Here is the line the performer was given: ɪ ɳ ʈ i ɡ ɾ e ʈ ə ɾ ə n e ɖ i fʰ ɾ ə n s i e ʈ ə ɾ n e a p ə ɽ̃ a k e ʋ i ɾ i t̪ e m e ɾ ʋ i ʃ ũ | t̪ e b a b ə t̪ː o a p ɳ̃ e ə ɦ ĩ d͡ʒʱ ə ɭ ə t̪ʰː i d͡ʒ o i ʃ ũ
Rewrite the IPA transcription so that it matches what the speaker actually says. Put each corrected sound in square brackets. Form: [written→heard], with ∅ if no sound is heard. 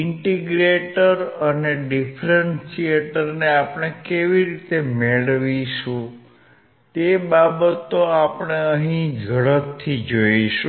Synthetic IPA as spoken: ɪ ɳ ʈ i ɡ ɾ e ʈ ə ɾ ə n e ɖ i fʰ ɾ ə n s i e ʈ ə ɾ n e a p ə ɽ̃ [a→e] k e ʋ i ɾ i t̪ e m e [ɾ→ɭ] ʋ i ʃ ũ | t̪ e b a b ə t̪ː o a p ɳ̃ e ə ɦ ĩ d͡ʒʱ ə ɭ ə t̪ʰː i d͡ʒ o i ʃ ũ